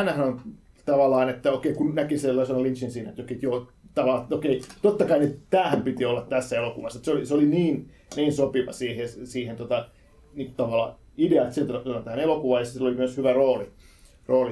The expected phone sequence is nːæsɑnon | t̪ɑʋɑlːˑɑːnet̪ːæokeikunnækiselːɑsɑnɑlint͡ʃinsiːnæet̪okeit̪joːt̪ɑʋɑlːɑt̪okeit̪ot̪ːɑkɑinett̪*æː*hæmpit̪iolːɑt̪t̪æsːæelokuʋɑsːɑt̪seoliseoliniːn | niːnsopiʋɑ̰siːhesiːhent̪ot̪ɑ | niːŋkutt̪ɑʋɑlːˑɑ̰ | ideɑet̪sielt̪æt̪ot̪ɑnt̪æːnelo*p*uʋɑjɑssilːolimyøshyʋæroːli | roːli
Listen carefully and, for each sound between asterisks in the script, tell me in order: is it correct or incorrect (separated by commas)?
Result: correct, incorrect